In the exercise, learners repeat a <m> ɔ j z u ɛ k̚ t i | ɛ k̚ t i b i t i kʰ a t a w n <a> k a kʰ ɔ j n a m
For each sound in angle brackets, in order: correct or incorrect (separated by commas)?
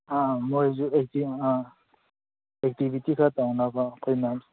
correct, correct